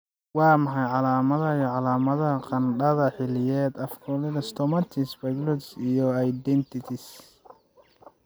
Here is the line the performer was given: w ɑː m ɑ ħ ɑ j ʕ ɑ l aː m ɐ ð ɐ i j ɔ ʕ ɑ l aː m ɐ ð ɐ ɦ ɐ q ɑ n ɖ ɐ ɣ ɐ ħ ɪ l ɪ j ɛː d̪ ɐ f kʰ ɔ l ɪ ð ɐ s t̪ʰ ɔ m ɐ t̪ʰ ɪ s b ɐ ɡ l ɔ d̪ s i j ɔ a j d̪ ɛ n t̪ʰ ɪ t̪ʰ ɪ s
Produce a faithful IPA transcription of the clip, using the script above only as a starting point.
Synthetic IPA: w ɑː m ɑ ħ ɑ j ʕ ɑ l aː m ɐ ð ɐ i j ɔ ʕ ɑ l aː m ɐ ð ɐ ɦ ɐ q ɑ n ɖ ɐ ð ɐ ħ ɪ l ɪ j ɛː d̪ ɐ f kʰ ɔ l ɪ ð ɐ s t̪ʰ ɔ m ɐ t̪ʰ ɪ s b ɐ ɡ l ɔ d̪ s i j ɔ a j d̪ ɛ n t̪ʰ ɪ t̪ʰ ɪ s